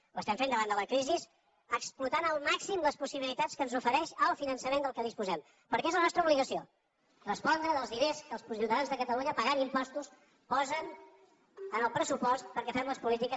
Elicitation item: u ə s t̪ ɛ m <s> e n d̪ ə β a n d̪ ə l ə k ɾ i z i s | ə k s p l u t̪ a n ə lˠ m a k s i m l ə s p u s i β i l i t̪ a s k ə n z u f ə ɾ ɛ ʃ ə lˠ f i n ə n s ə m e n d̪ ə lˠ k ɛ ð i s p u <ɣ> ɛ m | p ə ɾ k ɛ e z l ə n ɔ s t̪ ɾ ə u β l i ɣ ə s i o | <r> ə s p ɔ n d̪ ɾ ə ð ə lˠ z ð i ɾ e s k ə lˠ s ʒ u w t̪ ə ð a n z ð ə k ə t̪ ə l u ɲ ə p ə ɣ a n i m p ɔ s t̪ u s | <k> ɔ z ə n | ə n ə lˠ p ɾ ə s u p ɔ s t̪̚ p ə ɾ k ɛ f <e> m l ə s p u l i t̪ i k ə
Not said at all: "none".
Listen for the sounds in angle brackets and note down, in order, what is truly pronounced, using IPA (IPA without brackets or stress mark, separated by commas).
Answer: f, z, r, p, ɛ